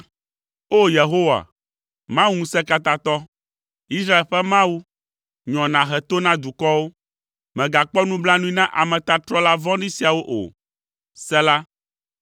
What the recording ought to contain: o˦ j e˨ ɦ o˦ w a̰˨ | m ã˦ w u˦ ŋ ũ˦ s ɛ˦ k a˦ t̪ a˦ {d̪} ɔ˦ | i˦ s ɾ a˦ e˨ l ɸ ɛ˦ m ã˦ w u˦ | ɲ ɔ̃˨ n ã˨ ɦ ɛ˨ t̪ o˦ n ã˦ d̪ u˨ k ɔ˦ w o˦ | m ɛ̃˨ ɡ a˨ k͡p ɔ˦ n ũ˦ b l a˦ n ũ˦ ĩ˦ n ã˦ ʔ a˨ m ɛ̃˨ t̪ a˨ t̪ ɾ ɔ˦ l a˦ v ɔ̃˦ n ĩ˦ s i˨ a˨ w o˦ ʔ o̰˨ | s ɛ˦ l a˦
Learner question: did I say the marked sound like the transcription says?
no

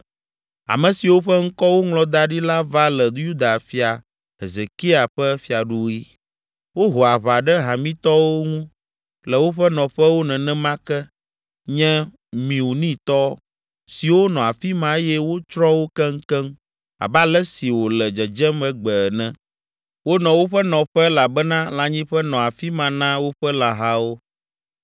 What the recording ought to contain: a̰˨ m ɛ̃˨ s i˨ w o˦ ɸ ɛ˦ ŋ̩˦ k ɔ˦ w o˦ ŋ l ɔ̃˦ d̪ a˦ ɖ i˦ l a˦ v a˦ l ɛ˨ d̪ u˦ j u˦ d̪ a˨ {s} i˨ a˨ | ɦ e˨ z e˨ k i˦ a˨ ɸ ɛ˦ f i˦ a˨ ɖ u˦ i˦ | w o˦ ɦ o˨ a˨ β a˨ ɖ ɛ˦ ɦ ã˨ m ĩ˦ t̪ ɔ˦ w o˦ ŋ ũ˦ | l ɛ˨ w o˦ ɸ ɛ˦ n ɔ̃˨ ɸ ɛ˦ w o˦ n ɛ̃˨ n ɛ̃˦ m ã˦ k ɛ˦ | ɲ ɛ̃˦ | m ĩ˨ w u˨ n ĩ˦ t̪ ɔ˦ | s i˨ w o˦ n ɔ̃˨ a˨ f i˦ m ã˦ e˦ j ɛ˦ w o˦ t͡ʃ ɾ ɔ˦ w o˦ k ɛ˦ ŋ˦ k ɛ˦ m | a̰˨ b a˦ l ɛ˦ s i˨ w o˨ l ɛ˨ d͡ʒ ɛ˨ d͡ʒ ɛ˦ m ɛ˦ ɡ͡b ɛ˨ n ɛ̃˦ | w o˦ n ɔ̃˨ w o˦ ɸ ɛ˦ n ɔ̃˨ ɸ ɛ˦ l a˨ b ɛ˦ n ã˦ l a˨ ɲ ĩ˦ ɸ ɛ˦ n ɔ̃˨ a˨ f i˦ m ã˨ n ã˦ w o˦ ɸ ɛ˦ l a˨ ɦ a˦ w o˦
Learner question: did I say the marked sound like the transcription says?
no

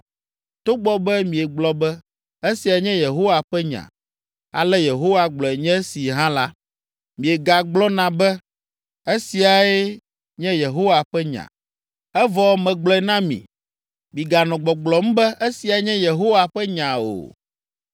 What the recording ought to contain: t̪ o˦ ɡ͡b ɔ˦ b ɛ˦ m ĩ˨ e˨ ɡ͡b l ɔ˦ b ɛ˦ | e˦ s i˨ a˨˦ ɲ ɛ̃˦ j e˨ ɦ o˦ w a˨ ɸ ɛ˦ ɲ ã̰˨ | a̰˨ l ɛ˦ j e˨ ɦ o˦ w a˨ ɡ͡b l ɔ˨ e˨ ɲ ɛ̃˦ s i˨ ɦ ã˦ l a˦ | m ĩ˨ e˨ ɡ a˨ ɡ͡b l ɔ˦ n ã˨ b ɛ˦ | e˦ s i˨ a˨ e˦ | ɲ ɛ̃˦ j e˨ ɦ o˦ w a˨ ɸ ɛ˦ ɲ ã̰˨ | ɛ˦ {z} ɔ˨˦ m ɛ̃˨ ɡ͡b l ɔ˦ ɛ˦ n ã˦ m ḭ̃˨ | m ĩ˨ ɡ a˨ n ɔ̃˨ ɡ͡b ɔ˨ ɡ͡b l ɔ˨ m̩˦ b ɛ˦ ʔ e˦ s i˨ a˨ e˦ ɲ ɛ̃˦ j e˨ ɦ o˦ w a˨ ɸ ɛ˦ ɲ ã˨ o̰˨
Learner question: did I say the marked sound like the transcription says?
no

